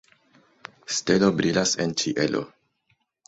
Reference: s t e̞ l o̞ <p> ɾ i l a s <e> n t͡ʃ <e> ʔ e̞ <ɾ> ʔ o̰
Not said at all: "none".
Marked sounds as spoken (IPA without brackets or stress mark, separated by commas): b, e, i, l